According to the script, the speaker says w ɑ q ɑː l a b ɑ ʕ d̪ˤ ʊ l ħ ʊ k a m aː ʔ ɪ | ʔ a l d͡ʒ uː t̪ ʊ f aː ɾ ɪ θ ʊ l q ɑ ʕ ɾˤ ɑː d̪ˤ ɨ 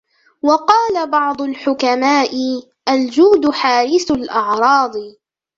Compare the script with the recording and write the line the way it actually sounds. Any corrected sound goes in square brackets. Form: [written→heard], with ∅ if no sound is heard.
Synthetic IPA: w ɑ q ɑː l a b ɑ ʕ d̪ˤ ʊ l ħ ʊ k a m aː ʔ ɪ | ʔ a l d͡ʒ uː [t̪→d̪] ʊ [f→ħ] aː ɾ ɪ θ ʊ l [q→ʔ] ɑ ʕ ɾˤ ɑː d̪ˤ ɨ